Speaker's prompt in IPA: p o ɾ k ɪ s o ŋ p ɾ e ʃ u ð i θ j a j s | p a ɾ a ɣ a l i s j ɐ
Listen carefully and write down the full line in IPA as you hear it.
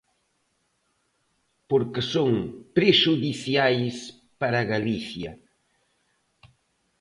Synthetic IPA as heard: p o ɾ k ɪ s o ŋ p ɾ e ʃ u ð i θ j a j s | p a ɾ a ɣ a l i θ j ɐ